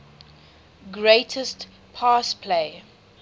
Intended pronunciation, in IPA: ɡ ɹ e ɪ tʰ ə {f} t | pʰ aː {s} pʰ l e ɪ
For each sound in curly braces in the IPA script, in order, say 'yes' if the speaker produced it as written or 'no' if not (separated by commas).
no, yes